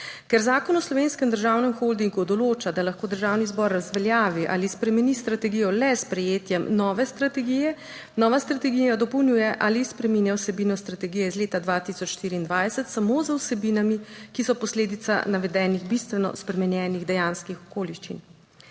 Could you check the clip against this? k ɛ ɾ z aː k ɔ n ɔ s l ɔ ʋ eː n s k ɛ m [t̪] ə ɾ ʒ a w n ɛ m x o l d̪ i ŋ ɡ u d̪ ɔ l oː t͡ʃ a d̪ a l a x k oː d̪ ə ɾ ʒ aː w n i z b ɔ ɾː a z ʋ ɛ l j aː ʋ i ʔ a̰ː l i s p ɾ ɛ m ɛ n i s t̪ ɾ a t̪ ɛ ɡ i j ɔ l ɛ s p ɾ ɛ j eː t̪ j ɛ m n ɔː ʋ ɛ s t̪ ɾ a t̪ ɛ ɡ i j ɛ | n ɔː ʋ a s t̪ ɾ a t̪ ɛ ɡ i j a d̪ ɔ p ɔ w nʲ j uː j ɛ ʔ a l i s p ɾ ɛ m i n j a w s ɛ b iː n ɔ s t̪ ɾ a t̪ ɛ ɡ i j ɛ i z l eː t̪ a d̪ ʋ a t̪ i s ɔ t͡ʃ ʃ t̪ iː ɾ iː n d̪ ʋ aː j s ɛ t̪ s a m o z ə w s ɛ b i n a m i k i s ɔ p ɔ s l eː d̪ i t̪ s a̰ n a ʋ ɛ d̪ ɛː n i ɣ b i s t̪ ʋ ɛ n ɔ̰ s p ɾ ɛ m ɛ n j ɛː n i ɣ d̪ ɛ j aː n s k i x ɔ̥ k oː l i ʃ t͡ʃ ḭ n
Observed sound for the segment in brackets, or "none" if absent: d̪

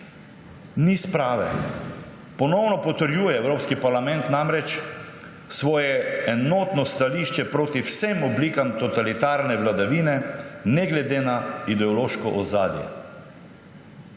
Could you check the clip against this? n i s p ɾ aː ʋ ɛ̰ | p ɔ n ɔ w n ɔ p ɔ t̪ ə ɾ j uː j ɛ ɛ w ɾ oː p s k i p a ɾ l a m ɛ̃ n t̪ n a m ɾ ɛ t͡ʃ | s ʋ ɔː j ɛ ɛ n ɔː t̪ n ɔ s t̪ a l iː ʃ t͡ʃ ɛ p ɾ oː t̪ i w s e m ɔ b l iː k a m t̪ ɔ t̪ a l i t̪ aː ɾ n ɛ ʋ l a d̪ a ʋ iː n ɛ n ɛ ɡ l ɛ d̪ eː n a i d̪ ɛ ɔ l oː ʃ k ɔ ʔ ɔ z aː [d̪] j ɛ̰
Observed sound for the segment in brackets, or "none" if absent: d̪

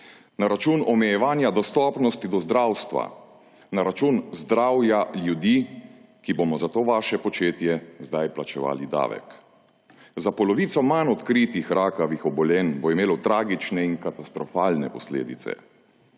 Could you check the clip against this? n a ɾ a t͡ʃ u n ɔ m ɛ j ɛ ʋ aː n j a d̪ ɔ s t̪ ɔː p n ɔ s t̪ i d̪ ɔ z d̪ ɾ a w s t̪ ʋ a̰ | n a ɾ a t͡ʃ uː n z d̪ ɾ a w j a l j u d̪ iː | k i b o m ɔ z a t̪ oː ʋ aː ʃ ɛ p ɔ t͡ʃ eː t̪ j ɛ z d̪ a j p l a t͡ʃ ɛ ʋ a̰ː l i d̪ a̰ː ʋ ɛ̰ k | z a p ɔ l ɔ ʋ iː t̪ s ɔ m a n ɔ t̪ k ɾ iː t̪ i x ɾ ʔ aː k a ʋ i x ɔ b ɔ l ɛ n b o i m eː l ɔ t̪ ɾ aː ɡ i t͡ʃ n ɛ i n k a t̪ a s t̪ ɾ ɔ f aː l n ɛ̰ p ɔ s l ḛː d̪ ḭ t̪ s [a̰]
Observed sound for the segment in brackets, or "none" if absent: ɛ̰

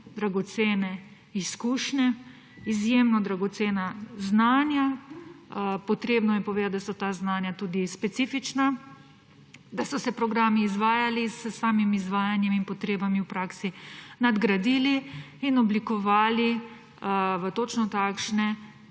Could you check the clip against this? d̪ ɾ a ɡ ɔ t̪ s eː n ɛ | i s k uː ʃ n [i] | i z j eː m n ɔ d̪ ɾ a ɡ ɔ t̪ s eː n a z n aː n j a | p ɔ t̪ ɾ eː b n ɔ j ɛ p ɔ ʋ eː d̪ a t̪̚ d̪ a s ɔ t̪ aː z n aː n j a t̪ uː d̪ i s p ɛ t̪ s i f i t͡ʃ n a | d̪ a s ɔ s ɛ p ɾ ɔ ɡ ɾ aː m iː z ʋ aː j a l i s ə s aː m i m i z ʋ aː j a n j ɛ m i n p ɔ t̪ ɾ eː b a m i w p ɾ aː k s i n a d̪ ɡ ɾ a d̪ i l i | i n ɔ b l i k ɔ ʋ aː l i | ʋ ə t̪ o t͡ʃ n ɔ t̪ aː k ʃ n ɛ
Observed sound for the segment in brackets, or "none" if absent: ɛ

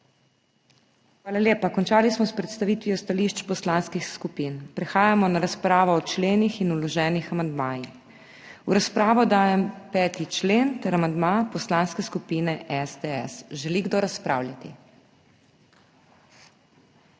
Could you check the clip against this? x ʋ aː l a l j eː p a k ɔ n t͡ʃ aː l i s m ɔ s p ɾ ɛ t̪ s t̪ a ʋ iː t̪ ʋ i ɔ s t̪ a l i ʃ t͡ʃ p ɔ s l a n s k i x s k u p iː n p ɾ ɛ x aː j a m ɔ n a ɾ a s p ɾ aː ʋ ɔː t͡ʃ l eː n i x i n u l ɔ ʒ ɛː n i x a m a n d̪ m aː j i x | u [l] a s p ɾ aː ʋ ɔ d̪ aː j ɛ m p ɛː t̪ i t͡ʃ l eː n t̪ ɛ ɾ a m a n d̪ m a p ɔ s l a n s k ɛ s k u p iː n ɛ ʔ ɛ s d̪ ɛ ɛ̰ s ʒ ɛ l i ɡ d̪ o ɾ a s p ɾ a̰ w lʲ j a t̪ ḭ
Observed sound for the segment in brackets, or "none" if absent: ɾ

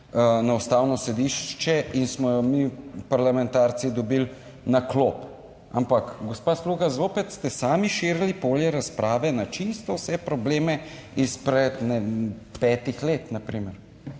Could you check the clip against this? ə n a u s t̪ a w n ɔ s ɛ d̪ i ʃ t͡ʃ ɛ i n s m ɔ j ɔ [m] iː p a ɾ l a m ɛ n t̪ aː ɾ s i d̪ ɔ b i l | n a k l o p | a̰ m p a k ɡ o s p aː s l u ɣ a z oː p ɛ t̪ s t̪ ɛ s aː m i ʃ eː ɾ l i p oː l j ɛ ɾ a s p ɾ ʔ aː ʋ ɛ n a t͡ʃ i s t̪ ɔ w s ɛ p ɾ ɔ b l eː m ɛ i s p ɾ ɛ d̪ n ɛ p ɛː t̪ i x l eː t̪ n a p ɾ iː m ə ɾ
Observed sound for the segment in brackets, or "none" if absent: m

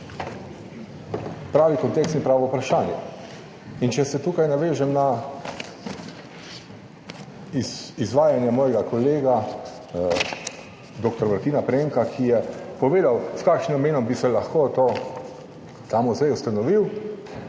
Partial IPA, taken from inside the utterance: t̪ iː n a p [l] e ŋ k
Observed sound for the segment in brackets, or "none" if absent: ɾ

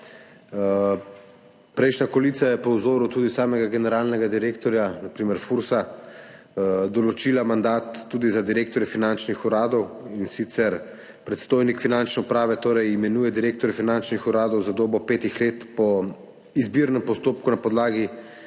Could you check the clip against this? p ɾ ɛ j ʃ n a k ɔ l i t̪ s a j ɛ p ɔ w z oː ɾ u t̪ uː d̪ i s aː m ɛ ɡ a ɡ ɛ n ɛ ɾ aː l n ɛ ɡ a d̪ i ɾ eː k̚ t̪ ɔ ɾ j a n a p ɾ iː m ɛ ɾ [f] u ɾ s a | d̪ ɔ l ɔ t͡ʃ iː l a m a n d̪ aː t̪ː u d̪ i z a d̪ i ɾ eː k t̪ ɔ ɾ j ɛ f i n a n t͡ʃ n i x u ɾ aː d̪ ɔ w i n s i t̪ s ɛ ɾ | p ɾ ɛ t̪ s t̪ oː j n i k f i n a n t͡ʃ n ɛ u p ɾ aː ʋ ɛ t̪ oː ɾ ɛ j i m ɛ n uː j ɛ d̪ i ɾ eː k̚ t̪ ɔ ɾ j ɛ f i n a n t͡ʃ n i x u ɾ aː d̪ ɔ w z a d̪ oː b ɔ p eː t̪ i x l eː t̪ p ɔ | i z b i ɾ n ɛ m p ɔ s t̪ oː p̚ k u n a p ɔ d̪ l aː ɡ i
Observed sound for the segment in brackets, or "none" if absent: f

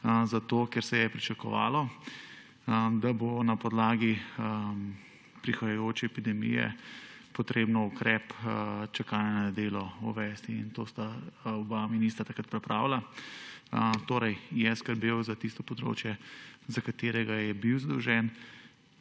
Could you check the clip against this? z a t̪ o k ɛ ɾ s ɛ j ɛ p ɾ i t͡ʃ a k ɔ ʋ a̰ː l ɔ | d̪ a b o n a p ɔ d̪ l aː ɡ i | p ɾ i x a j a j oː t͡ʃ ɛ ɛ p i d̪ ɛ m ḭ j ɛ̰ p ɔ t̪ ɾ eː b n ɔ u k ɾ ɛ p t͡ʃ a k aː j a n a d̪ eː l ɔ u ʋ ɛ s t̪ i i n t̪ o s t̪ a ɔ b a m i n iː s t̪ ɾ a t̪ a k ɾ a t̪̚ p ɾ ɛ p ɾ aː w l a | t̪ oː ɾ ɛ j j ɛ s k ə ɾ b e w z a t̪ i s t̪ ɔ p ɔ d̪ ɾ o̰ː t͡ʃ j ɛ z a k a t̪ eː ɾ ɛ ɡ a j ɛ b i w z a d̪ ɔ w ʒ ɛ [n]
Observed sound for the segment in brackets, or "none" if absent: n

